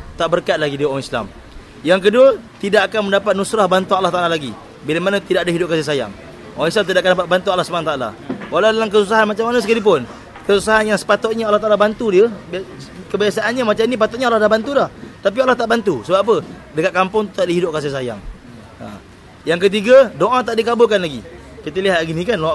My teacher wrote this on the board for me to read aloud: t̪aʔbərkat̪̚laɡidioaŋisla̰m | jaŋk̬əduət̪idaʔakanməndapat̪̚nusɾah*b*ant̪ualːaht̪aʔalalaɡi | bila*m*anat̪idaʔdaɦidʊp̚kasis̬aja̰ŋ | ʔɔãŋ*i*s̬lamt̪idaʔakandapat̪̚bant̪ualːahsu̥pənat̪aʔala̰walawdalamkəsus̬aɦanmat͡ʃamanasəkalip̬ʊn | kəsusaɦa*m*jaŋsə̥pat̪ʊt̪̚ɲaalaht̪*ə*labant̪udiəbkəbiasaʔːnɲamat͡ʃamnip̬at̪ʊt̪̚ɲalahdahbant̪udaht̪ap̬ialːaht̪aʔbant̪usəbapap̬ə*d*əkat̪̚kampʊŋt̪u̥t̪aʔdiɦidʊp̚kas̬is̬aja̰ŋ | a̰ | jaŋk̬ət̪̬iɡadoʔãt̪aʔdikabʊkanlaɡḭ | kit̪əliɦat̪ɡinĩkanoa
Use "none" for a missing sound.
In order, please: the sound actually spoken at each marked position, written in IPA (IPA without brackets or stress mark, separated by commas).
b, m, i, n, a, d